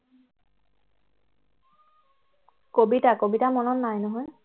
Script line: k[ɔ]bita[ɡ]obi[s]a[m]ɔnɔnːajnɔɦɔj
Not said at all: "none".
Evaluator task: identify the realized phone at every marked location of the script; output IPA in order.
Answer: o, k, t, m

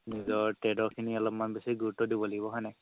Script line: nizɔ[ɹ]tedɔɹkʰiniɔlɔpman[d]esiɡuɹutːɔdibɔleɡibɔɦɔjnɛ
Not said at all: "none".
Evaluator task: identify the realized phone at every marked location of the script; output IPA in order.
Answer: ɹ, b

